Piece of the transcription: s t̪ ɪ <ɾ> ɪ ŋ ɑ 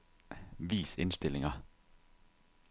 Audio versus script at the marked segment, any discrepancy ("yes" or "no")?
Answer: yes